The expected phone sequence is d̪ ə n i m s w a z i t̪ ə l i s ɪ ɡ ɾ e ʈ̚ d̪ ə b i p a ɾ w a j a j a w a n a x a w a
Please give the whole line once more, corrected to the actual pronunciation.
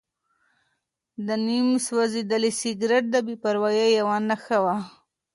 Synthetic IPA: d̪ ə n i m s w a z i d̪ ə l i s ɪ ɡ ɾ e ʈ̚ d̪ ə b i p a ɾ w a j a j a w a n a x a w a